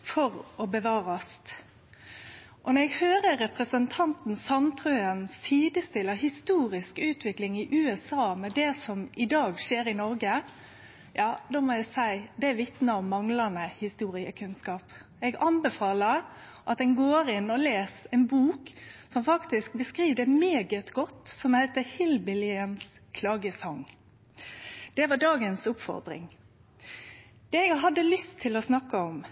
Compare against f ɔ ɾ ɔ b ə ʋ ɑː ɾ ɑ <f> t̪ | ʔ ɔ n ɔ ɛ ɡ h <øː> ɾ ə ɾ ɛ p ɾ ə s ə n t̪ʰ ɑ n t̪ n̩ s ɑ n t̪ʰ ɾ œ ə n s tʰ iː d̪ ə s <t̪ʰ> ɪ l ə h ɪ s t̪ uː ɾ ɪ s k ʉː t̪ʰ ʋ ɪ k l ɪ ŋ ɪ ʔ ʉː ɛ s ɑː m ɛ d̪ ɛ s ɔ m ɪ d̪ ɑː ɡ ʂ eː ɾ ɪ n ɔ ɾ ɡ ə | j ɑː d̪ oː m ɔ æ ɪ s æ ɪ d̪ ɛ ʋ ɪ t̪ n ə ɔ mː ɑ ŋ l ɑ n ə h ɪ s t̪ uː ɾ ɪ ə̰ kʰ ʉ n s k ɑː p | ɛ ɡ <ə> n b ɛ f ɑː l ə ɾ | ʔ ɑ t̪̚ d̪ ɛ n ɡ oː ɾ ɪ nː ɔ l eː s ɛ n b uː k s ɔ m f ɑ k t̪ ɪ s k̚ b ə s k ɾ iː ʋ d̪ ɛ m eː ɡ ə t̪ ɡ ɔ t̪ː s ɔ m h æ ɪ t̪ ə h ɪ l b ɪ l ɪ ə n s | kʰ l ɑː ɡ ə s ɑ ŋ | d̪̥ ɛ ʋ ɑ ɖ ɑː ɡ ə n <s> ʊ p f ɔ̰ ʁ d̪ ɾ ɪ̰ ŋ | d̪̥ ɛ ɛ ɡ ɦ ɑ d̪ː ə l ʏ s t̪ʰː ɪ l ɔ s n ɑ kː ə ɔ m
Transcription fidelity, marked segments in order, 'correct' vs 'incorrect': incorrect: s, correct, incorrect: t̪, incorrect: ɑ, correct

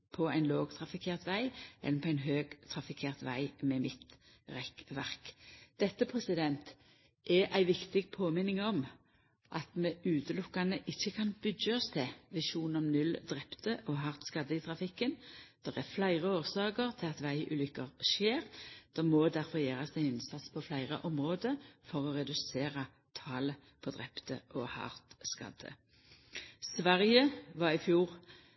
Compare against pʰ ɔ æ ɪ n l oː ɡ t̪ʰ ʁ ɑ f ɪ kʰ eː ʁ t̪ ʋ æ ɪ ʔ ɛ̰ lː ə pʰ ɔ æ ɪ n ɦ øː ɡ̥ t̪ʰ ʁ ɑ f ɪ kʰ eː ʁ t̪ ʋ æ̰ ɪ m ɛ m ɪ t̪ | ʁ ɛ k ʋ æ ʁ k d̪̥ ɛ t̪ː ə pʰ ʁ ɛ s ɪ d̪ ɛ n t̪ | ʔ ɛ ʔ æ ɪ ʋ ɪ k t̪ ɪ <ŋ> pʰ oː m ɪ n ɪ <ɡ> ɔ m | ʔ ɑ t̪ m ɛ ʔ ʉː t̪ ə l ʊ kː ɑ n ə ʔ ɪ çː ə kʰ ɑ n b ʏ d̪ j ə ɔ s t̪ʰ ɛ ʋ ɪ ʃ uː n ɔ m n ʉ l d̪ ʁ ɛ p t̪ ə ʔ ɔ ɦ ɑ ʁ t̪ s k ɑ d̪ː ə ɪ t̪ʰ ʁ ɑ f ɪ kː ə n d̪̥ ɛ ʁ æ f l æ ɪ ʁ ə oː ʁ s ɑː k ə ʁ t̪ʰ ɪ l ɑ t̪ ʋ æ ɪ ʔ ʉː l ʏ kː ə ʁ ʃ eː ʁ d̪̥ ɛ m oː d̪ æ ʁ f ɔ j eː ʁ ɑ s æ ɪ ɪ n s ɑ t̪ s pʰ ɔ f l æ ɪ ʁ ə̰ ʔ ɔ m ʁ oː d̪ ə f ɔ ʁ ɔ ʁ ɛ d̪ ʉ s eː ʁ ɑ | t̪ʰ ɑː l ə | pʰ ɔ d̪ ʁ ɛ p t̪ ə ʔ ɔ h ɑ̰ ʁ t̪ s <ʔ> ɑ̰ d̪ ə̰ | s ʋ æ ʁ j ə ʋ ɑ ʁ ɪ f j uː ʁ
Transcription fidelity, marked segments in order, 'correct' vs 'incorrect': incorrect: ɡ, incorrect: ŋ, incorrect: k

